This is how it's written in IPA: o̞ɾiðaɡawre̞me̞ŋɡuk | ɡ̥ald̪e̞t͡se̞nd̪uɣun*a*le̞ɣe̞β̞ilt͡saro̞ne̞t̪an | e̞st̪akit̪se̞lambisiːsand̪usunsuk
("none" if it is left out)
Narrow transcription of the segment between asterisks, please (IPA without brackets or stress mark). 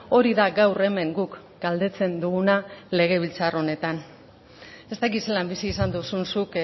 a